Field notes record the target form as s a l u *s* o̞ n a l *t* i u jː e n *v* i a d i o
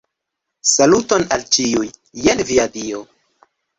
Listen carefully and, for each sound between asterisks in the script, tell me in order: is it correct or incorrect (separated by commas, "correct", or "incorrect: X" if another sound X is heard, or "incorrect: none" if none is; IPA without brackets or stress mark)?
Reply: incorrect: t, incorrect: t͡ʃ, correct